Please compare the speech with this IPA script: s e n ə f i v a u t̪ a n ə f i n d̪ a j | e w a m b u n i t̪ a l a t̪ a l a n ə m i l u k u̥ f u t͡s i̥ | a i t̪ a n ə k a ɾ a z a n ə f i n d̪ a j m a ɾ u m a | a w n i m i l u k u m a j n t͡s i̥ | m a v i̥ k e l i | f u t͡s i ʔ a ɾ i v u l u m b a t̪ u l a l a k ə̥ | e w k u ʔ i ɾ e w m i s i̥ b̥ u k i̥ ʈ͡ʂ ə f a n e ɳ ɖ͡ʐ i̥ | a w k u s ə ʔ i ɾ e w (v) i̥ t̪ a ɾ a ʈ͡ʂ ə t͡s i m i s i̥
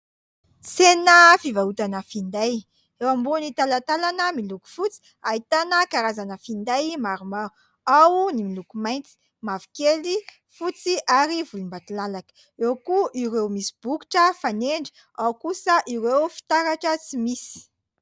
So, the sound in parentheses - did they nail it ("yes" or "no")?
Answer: no